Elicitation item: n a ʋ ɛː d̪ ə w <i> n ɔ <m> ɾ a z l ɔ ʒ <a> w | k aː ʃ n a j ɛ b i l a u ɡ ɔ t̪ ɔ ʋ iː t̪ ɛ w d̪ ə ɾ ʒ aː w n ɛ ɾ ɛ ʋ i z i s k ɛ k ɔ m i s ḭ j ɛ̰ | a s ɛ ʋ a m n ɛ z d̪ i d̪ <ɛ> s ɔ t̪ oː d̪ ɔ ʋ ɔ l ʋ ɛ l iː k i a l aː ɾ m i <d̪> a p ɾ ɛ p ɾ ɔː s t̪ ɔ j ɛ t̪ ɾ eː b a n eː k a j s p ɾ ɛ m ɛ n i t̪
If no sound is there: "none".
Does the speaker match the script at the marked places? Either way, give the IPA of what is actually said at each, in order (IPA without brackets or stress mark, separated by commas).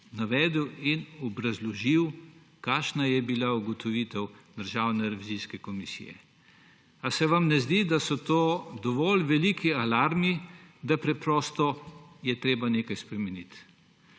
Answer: i, b, i, a, d̪